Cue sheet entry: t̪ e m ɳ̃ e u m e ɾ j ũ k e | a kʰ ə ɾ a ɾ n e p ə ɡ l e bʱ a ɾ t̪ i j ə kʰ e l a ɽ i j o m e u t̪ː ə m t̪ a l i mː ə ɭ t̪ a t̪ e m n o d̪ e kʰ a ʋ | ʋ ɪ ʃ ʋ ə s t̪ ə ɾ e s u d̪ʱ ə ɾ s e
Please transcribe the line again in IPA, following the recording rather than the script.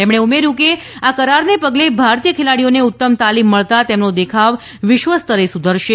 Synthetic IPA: t̪ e m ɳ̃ e u m e ɾ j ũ k e | a k ə ɾ a ɾ n e p ə ɡ l e bʱ a ɾ t̪ i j ə kʰ e l a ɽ i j o n e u t̪ː ə m t̪ a l i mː ə ɭ t̪ a t̪ e m n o d̪ e kʰ a ʋ | ʋ ɪ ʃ ʋ ə s t̪ ə ɾ e s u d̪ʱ ə ɾ ʃ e